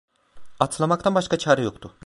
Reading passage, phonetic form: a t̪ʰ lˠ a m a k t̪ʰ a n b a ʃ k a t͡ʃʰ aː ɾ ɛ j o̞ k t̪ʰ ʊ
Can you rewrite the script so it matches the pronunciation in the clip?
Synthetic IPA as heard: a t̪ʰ lˠ a m a k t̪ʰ a n b a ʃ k a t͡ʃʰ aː ɾ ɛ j o̞ k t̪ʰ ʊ